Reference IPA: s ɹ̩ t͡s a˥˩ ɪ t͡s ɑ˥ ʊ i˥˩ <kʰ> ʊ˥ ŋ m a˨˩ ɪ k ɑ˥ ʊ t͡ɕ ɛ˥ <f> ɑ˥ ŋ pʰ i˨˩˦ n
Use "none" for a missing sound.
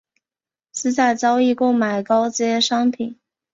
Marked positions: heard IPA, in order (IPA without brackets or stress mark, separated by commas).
k, ʂ